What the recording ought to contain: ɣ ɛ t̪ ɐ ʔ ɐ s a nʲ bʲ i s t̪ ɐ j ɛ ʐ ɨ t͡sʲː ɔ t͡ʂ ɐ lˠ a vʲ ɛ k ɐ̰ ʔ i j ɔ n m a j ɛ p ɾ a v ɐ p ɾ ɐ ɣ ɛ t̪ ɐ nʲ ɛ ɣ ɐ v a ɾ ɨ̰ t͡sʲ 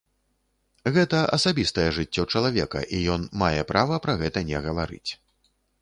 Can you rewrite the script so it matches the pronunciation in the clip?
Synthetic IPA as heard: ɣ ɛ t̪ ɐ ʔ ɐ s a bʲ i s t̪ ɐ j ɛ ʐ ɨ t͡sʲː ɔ t͡ʂ ɐ lˠ a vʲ ɛ k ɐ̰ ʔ i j ɔ n m a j ɛ p ɾ a v ɐ p ɾ ɐ ɣ ɛ t̪ ɐ nʲ ɛ ɣ ɐ v a ɾ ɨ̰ t͡sʲ